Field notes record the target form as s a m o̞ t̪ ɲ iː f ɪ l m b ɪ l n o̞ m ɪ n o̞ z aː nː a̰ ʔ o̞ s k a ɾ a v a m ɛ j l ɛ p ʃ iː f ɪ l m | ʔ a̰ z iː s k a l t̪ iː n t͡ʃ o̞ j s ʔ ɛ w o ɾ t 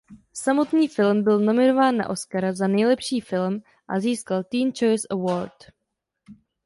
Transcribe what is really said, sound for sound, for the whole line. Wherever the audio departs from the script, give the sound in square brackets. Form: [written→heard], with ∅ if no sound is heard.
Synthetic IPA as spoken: s a m o̞ t̪ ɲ iː f ɪ l m b ɪ l n o̞ m ɪ n o̞ [z→v] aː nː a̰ ʔ o̞ s k a ɾ a [v→z] a [m→n] ɛ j l ɛ p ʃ iː f ɪ l m | ʔ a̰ z iː s k a l t̪ iː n t͡ʃ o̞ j s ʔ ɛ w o ɾ t

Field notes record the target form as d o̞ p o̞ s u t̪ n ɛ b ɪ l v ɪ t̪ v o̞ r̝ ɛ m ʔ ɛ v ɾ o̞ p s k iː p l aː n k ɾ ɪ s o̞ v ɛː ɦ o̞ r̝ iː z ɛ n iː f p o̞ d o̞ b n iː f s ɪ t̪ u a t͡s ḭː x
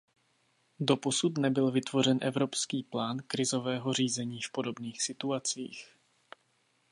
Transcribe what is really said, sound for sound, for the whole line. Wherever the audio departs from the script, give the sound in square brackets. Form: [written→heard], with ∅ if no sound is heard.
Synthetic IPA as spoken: d o̞ p o̞ s u t̪ n ɛ b ɪ l v ɪ t̪ v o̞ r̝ ɛ [m→n] ʔ ɛ v ɾ o̞ p s k iː p l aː n k ɾ ɪ [s→z] o̞ v ɛː ɦ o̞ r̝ iː z ɛ [n→ɲ] iː f p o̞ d o̞ b n iː [f→x] s ɪ t̪ u a t͡s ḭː x

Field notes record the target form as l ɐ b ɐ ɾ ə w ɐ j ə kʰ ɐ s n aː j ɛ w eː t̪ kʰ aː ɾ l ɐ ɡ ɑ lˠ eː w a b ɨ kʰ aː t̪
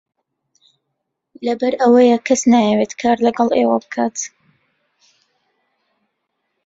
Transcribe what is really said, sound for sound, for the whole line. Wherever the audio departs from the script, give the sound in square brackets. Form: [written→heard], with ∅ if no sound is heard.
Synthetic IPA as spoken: l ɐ b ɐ ɾ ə w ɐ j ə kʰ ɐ s n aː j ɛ w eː t̪ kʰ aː ɾ l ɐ ɡ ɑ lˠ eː w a b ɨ kʰ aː t̪

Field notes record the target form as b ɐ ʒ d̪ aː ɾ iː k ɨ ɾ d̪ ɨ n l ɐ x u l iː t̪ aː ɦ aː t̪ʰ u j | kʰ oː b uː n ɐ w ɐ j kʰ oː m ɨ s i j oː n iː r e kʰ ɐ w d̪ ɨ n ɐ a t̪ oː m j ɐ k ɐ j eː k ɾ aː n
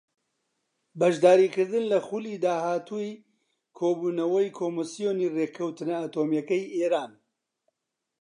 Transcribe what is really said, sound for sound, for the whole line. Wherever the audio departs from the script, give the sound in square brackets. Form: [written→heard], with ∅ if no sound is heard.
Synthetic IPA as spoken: b ɐ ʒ d̪ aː ɾ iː k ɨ ɾ d̪ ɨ n l ɐ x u l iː [t̪→d̪] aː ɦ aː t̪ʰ u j | kʰ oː b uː n ɐ w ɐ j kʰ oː m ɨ s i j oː n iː r e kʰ ɐ w [d̪→t̪] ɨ n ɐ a t̪ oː m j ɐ k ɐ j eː [k→∅] ɾ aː n

